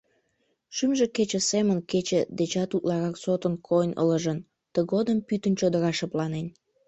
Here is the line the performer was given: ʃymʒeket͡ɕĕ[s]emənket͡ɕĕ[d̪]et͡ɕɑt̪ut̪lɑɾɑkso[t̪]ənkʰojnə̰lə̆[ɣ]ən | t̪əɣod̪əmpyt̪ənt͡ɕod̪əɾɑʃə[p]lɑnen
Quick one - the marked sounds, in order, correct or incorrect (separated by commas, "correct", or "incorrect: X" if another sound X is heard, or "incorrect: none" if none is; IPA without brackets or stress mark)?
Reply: correct, correct, correct, incorrect: ʒ, correct